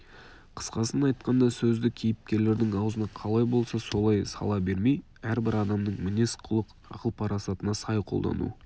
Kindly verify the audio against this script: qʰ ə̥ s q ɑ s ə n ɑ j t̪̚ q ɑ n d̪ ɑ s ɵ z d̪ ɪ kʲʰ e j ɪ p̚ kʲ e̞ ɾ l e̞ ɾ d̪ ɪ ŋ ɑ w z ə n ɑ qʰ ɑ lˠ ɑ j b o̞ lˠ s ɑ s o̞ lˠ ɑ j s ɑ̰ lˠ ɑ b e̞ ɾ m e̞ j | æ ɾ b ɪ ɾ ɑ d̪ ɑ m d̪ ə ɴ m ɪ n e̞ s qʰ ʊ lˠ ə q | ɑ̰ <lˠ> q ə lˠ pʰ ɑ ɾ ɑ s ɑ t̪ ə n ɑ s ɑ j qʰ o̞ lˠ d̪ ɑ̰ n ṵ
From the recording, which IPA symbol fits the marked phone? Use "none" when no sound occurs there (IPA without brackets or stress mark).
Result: none